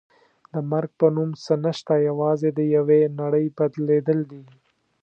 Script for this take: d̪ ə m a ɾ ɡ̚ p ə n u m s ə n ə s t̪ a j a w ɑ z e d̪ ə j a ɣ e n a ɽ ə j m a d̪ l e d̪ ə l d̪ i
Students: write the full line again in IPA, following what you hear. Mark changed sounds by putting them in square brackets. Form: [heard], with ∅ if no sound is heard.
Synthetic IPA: d̪ ə m a ɾ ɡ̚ p ə n u m s ə n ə [ʃ] t̪ a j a w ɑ z e d̪ ə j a [w] e n a ɽ ə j [b] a d̪ l e d̪ ə l d̪ i

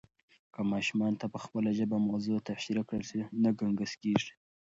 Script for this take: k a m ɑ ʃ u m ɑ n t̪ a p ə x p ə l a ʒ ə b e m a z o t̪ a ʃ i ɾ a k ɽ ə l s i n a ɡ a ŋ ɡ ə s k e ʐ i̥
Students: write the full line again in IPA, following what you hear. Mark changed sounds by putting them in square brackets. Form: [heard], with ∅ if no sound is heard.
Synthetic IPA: k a m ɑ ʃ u m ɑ n t̪ a p ə x p ə l a ʒ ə b [a] m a z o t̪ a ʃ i ɾ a k ɽ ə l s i n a ɡ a ŋ ɡ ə s k e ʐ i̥

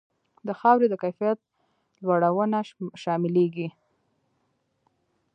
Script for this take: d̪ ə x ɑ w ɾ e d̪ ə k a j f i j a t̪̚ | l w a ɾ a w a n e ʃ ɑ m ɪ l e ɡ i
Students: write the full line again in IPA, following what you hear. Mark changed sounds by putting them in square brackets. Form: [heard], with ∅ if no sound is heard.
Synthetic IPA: d̪ ə x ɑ w ɾ e d̪ ə k a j f i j a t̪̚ | l w a [ɽ] a w [ə] n [a] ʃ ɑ m ɪ l e ɡ i

